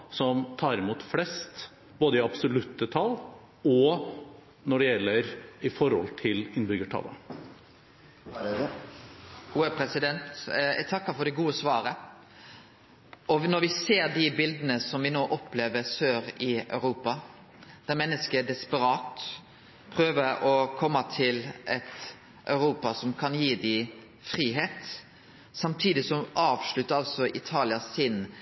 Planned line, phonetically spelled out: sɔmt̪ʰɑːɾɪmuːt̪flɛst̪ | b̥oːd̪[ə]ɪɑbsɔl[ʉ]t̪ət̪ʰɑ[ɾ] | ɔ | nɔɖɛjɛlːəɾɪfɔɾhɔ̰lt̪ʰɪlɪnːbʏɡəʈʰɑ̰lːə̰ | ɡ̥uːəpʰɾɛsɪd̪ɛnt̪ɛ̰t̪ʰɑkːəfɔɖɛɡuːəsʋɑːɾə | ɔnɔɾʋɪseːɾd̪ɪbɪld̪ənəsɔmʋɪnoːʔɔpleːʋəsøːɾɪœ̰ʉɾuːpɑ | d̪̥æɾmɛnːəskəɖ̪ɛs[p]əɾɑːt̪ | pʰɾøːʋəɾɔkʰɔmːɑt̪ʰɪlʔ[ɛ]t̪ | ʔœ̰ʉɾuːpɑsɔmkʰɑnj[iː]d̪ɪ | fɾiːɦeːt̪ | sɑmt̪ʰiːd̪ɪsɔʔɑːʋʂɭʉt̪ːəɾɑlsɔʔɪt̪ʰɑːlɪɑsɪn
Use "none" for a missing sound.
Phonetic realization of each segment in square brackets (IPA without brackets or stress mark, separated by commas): ə, ʉ, l, p, ɛ, iː